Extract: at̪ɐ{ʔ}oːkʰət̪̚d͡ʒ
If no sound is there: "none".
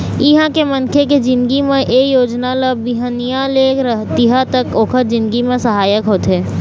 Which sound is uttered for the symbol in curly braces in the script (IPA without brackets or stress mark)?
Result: k